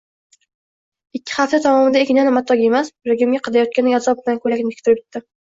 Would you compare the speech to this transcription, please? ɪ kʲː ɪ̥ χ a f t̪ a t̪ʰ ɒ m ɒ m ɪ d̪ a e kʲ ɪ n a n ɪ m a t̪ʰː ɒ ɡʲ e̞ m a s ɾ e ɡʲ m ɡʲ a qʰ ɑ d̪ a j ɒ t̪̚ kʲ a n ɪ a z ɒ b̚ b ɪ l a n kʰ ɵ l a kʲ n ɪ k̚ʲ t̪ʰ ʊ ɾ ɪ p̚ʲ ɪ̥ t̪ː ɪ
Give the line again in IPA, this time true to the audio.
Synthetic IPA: ɪ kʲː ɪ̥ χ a f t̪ a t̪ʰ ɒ m ɒ m ɪ d̪ a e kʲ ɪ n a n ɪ m a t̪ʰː ɒ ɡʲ e̞ m a s ɾ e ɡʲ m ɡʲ a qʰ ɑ d̪ a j ɒ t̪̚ kʲ a n ɪ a z ɒ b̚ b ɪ l a n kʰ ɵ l a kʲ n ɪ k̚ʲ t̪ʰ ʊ ɾ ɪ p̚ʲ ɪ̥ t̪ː ɪ